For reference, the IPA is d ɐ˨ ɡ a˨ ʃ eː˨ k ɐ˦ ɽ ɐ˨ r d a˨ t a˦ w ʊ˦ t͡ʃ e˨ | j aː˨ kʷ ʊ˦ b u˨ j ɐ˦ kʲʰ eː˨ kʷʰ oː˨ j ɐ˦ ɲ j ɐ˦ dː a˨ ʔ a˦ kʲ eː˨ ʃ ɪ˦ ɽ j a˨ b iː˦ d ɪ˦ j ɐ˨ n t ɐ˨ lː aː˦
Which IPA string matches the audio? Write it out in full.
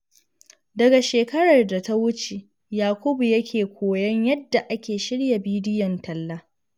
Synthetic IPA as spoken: d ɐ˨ ɡ a˨ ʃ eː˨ k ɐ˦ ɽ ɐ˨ r d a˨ t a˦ w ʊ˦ t͡ʃ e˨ | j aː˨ kʷ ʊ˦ b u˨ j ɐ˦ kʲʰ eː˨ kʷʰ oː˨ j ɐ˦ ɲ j ɐ˦ dː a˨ ʔ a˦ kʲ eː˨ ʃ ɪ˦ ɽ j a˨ b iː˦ d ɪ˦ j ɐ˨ n t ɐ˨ lː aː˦

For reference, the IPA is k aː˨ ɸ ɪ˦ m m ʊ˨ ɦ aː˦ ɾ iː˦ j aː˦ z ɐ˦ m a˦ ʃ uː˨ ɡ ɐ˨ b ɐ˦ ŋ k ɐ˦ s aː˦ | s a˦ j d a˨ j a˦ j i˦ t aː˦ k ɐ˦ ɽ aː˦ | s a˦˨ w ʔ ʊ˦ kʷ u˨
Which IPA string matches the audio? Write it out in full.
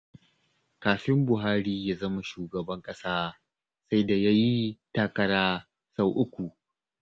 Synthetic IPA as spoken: k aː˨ ɸ ɪ˦ m b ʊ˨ ɦ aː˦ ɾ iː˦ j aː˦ z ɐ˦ m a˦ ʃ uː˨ ɡ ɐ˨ b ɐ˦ ŋ kʼ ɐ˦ s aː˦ | s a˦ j d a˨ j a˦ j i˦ t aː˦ k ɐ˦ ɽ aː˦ | s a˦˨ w ʔ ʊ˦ kʷ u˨

